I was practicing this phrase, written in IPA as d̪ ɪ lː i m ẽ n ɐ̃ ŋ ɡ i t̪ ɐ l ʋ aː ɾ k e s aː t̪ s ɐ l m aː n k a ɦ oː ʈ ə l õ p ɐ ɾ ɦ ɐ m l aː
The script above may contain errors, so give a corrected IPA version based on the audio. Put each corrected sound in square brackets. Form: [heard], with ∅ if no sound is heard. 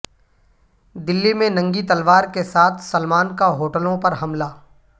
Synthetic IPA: d̪ ɪ lː i m ẽ n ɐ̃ ŋ ɡ i t̪ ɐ l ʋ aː ɾ k e s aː [t̪ʰ] s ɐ l m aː n k a ɦ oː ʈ ə l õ p ɐ ɾ ɦ ɐ m l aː